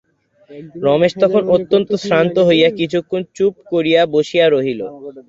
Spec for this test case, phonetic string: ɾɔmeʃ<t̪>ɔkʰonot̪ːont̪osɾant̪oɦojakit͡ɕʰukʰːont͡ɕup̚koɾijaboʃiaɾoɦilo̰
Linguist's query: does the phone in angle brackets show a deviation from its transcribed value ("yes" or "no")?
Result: no